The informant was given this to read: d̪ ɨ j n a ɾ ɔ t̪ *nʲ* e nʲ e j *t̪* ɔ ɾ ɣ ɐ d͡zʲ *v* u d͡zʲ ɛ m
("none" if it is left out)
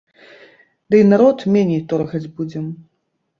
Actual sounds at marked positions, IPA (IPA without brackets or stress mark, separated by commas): mʲ, t̪, b